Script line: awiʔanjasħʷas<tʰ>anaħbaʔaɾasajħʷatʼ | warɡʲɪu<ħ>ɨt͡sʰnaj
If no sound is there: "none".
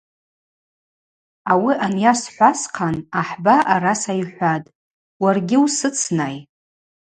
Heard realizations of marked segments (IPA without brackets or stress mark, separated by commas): qʰ, s